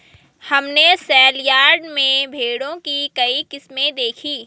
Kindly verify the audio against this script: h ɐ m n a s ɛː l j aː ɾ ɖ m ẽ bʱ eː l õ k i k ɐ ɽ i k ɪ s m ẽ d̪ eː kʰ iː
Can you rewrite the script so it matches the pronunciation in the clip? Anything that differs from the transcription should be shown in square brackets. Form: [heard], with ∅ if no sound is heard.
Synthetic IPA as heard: h ɐ m n [e] s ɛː l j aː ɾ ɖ m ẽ bʱ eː [ɽ] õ k i k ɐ [∅] i k ɪ s m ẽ d̪ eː kʰ iː